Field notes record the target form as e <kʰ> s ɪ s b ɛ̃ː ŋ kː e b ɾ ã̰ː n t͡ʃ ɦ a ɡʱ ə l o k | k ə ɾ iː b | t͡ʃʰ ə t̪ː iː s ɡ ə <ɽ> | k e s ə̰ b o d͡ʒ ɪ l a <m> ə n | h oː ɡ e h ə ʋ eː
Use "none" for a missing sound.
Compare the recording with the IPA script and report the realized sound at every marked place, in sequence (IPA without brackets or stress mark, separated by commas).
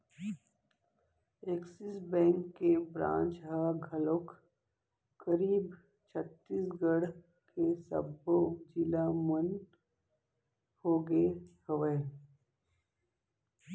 k, ɽ, m